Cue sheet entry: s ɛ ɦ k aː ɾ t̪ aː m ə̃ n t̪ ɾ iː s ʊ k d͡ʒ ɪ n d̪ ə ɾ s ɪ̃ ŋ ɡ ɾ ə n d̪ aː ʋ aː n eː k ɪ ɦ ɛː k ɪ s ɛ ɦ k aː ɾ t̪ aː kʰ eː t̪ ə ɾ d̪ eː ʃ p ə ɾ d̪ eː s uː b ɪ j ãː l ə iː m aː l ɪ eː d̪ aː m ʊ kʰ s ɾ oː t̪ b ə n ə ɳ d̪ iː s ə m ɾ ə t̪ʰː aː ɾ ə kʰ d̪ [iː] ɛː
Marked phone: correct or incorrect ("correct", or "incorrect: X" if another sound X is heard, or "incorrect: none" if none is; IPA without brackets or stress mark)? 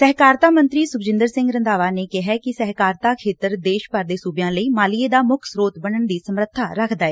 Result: incorrect: aː